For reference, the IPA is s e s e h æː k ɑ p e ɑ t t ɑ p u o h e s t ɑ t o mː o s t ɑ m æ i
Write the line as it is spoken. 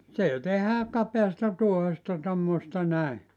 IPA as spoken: s e t e h æː k ɑ p e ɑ s t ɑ t u o h e s t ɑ t o mː o s t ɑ n æ i